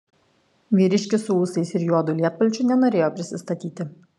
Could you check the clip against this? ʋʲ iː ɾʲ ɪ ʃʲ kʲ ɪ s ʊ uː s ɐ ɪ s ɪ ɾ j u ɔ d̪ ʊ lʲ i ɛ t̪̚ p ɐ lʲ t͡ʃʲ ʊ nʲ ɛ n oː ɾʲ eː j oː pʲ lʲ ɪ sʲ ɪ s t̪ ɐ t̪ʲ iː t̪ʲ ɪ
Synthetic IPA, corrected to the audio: ʋʲ iː ɾʲ ɪ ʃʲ kʲ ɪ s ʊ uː s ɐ ɪ s ɪ ɾ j u ɔ d̪ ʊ lʲ i ɛ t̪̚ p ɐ lʲ t͡ʃʲ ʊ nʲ ɛ n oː ɾʲ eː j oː pʲ ɾʲ ɪ sʲ ɪ s t̪ ɐ t̪ʲ iː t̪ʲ ɪ